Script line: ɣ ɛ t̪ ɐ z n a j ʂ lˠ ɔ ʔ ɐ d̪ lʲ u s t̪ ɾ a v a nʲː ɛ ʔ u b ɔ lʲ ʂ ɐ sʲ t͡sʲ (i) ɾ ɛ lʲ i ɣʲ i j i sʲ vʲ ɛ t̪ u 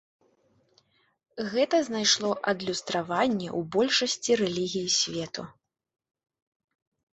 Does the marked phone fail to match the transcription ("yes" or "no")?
no